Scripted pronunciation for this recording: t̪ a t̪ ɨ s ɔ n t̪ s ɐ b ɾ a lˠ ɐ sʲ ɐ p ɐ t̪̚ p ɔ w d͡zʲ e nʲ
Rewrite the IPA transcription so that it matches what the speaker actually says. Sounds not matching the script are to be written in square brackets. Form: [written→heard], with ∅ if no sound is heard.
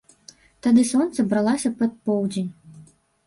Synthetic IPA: t̪ a [t̪→d̪] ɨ s ɔ n t̪ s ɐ b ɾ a lˠ [ɐ→a] sʲ ɐ p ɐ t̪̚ p ɔ w d͡zʲ e nʲ